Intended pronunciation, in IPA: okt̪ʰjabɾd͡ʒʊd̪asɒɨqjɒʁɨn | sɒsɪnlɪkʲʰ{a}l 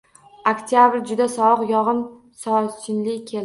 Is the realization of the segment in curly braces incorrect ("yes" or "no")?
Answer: yes